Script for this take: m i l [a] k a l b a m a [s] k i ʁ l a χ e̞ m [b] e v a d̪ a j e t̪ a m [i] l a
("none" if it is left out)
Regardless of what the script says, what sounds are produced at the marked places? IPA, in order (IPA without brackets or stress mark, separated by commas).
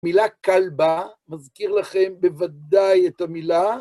a, z, b, i